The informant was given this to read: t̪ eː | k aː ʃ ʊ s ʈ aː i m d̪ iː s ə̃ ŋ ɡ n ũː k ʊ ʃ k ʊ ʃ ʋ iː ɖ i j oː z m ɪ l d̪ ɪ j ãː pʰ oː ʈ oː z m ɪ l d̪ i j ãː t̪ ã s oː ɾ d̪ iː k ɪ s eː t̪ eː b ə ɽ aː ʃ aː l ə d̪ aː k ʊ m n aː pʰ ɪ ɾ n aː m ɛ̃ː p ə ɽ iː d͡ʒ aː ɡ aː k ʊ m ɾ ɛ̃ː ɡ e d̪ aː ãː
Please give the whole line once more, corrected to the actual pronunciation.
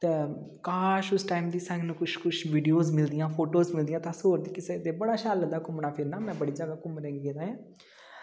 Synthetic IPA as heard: t̪ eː | k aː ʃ ʊ s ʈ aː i m d̪ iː s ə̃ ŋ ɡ n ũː k ʊ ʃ k ʊ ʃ ʋ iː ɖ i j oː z m ɪ l d̪ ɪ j ãː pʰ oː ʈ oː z m ɪ l d̪ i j ãː t̪ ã s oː ɾ d̪ iː k ɪ s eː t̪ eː b ə ɽ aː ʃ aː l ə d̪ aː k ʊ m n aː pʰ ɪ ɾ n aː m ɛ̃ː b ə ɽ iː d͡ʒ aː ɡ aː k ʊ m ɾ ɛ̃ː ɡ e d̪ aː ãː